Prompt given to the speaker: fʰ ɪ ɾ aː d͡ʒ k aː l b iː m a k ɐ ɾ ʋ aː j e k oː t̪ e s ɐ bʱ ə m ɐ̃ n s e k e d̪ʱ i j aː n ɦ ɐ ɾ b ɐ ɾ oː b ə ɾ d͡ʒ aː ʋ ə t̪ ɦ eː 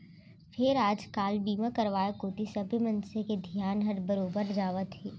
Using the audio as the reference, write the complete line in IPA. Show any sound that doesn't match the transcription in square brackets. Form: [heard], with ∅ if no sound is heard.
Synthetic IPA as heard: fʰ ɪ ɾ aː d͡ʒ k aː l b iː m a k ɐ ɾ ʋ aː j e k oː t̪ [i] s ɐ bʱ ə m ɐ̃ n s e k e d̪ʱ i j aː n ɦ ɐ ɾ b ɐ ɾ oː b ə ɾ d͡ʒ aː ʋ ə t̪ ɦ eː